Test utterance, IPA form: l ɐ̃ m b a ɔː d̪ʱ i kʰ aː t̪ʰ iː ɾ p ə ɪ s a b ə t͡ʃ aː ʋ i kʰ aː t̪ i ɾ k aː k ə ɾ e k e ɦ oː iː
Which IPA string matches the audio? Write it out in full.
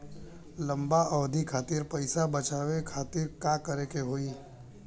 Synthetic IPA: l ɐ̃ m b a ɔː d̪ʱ i kʰ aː t̪ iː ɾ p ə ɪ s a b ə t͡ʃ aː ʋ e kʰ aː t̪ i ɾ k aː k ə ɾ e k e ɦ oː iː